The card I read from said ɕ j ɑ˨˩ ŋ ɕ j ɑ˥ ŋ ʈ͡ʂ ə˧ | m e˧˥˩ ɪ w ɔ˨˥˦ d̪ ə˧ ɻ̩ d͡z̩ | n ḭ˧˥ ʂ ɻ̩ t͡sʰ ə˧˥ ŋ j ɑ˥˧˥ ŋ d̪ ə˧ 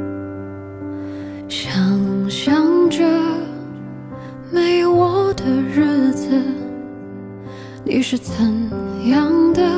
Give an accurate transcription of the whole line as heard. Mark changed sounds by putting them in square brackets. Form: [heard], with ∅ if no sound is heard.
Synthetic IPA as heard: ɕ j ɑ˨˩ ŋ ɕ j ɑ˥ ŋ ʈ͡ʂ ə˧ | m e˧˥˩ ɪ w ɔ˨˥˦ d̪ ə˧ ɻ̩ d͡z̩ | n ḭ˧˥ ʂ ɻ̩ t͡sʰ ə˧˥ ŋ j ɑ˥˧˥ ŋ d̪ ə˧